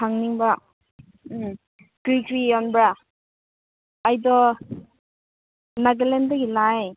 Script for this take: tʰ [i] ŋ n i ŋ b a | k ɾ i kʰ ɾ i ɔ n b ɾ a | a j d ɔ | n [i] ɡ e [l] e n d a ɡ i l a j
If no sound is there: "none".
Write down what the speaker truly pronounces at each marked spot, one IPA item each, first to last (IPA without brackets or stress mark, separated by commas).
a, a, l